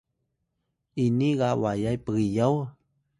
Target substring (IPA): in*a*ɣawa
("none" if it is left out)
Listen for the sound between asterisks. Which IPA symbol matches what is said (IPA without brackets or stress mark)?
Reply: i